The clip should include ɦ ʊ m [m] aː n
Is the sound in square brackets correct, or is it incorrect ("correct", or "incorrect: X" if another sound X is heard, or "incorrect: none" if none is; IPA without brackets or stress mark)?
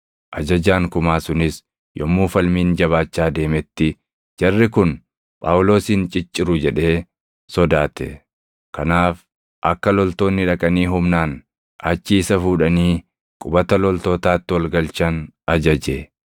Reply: incorrect: n